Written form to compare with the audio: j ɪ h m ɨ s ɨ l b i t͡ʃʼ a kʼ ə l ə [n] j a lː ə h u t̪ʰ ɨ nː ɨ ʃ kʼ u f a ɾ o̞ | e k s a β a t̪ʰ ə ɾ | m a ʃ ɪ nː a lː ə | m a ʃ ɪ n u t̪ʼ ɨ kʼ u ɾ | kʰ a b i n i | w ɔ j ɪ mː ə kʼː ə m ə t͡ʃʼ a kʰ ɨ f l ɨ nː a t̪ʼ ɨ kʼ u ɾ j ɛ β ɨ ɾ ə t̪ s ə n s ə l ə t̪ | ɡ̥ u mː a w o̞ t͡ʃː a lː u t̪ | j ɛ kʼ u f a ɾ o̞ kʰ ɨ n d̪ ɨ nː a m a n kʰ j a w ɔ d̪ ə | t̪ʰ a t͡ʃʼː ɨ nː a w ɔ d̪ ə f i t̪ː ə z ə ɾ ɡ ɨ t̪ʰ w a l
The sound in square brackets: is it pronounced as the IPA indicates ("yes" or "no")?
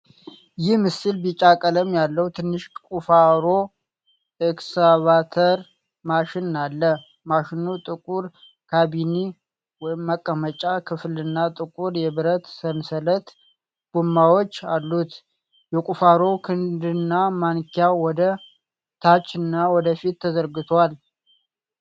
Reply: no